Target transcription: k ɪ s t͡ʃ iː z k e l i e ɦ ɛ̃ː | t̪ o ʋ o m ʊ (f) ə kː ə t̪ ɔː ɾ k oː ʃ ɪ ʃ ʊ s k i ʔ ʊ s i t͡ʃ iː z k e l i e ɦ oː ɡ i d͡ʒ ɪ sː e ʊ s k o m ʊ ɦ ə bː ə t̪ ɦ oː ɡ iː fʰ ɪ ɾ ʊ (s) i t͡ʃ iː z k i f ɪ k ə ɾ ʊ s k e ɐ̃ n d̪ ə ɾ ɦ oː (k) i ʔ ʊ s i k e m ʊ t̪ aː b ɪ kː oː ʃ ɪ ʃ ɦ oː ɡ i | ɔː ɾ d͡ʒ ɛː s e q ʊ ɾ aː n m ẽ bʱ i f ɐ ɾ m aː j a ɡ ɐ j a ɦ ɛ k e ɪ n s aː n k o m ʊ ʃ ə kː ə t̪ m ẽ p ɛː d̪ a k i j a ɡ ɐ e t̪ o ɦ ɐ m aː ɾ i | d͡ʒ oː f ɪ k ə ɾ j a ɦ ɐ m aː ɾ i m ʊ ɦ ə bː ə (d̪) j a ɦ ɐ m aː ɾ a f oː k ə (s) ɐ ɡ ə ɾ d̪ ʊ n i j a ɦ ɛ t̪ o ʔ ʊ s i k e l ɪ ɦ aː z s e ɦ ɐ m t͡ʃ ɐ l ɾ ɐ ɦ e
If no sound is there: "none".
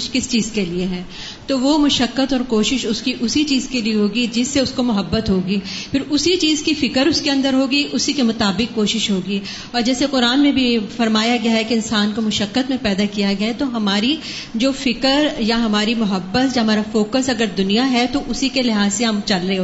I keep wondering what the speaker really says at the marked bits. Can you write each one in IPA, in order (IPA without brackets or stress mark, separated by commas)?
ʃ, s, ɡ, t̪, s